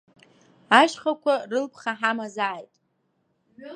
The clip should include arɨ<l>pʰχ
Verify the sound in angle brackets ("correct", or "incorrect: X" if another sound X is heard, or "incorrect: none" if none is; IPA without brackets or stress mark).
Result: correct